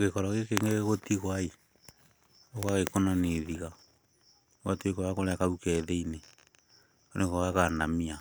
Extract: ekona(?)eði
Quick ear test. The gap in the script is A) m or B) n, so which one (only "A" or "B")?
B